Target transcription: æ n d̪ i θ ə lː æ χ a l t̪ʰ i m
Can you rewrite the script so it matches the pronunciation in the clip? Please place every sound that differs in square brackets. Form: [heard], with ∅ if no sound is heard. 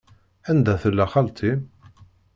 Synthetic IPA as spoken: æ n d̪ [æ] θ ə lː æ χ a l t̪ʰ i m